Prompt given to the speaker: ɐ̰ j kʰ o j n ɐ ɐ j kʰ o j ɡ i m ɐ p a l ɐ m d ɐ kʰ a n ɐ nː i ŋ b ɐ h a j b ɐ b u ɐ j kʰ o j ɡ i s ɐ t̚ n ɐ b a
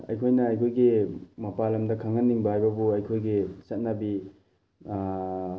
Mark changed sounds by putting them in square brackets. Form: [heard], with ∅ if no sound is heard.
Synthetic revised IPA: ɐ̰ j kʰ o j n ɐ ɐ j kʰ o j ɡ i m ɐ p a l ɐ m d ɐ kʰ a [ŋ] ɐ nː i ŋ b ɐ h a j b ɐ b u ɐ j kʰ o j ɡ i s ɐ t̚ n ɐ b [i]